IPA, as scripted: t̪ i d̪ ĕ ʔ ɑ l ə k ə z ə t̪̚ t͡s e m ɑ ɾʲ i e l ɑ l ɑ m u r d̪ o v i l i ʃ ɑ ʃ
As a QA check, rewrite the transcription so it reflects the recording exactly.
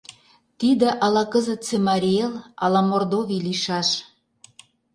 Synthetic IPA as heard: t̪ i d̪ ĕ ʔ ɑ l ɑ k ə z ə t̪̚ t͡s e m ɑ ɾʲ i e l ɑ l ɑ m o r d̪ o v i l i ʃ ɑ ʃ